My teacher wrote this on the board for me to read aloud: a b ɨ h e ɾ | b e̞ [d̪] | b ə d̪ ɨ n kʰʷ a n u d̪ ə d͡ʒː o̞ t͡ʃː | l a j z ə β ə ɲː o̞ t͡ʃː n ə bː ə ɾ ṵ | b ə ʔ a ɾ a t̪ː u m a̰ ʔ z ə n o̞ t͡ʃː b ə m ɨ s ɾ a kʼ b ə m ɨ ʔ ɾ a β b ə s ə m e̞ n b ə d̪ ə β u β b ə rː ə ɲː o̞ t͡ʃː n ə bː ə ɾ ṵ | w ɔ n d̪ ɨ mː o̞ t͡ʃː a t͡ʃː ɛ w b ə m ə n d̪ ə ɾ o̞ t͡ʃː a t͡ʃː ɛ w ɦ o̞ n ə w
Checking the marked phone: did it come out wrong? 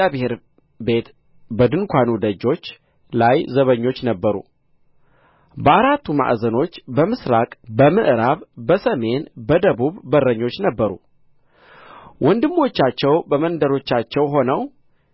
yes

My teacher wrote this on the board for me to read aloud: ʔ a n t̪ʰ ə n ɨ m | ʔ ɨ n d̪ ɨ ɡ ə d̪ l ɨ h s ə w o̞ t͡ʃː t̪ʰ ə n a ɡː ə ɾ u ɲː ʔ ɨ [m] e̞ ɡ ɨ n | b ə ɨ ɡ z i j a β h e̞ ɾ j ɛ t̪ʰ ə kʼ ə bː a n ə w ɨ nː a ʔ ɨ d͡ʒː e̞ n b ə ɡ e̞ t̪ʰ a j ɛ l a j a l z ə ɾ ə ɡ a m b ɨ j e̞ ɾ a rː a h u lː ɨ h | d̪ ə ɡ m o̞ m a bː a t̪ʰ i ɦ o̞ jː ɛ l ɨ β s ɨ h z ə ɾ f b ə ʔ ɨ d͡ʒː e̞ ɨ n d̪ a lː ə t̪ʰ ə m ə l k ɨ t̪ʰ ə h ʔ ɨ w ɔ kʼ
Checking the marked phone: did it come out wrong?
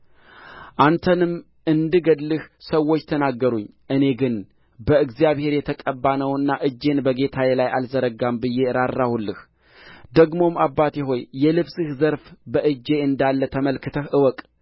yes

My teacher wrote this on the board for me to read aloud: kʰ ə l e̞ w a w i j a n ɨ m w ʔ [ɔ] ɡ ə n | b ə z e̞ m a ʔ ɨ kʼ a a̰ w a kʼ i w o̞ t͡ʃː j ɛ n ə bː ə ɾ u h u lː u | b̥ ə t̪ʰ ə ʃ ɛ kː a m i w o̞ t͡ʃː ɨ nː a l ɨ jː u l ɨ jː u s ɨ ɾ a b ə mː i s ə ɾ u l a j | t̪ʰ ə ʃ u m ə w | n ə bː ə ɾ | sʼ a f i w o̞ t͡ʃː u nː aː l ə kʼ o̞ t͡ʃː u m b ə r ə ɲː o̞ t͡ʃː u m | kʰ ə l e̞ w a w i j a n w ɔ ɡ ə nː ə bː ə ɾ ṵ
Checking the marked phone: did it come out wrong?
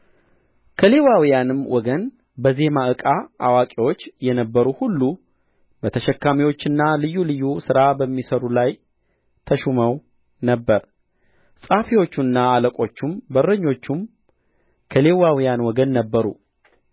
no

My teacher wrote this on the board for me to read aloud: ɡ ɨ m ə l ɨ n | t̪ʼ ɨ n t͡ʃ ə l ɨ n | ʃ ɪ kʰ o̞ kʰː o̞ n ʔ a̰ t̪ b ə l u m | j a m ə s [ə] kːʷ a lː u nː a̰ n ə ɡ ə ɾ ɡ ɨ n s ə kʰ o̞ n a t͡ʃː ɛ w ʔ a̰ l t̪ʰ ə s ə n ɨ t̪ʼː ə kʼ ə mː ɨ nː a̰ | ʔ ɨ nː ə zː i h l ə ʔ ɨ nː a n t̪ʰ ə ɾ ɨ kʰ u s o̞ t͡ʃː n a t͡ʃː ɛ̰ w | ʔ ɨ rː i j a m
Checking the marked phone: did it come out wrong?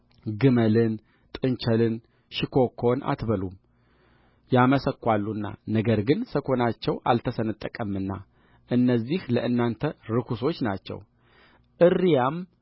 no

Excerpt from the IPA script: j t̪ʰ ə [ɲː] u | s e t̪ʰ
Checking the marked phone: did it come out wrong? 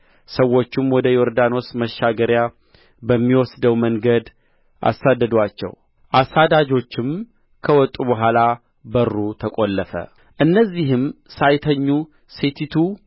no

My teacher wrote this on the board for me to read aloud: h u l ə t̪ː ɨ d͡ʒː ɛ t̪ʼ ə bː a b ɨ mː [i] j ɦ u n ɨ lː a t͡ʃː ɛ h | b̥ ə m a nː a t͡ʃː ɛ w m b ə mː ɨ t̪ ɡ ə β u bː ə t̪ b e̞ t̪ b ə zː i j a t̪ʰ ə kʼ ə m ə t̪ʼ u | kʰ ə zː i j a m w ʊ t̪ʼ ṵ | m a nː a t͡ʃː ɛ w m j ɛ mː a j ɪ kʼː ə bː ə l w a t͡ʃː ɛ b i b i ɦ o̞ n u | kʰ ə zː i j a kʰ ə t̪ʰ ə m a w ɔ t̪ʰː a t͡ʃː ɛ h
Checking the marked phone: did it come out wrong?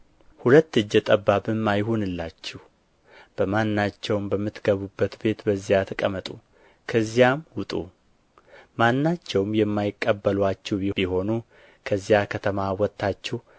yes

